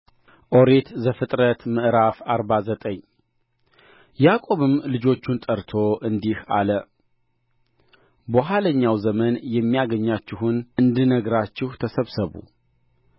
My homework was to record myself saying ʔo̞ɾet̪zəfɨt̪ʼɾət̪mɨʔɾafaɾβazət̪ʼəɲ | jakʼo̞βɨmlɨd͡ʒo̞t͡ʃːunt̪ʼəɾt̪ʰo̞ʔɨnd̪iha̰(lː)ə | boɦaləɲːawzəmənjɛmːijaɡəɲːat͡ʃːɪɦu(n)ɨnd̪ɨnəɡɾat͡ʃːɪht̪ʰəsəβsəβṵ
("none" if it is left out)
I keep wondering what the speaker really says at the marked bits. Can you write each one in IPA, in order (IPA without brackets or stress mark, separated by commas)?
l, n